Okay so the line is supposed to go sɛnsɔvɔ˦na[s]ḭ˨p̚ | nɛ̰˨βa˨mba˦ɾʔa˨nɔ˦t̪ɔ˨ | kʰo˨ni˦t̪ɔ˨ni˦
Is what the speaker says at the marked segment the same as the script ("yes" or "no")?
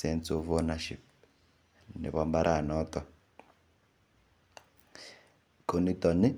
no